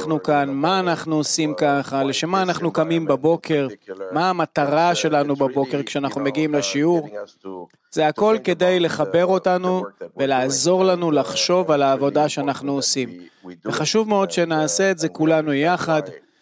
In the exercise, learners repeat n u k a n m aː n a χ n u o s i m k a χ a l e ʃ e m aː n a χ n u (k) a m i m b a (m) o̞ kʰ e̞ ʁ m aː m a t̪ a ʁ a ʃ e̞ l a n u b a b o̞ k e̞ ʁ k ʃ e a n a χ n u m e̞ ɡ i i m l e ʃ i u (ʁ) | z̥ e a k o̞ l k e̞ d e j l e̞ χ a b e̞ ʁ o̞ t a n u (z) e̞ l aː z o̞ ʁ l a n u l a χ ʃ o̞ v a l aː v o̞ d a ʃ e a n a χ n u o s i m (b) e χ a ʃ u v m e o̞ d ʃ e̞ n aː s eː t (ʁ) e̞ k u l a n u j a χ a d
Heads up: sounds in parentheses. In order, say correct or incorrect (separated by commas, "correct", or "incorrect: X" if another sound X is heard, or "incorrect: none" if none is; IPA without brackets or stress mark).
correct, incorrect: b, correct, incorrect: v, incorrect: v, incorrect: z